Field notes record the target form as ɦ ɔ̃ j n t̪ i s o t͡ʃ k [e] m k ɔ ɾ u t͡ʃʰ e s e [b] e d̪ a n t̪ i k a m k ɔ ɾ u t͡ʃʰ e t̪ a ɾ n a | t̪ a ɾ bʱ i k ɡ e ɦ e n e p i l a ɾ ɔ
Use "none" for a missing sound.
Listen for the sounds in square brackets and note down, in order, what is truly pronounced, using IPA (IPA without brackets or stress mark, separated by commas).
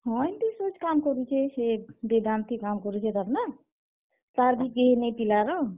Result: a, b